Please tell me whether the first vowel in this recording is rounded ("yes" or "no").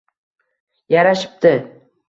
no